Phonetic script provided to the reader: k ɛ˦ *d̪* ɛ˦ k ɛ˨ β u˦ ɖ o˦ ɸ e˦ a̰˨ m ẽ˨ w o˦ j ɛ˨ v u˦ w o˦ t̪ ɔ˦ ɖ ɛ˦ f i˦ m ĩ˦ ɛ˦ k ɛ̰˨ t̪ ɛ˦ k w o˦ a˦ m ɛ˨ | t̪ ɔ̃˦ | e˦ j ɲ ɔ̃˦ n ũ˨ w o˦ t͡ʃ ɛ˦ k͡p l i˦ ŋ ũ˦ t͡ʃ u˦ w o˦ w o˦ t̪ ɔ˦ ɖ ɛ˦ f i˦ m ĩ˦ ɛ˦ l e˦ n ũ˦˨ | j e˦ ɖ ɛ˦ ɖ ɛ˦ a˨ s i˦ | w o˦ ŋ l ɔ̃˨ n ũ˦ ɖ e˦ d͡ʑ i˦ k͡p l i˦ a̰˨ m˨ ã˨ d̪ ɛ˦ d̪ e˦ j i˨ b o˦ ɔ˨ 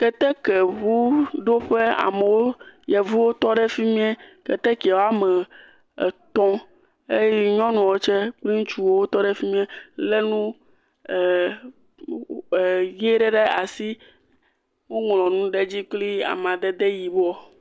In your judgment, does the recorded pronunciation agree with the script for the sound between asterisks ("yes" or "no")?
no